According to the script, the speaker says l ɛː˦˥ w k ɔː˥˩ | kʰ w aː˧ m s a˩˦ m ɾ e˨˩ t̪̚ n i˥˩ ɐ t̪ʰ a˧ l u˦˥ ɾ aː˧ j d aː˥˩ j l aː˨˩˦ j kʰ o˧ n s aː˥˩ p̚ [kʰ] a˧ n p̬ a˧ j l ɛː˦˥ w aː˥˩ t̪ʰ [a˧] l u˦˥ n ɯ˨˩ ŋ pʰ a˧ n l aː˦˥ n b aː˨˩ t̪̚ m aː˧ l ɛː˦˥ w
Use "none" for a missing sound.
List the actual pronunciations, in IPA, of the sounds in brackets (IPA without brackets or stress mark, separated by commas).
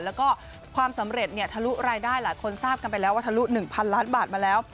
k, a˧